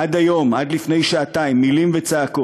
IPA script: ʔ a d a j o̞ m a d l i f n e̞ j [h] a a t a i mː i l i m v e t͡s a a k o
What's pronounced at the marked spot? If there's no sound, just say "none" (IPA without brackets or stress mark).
ʃ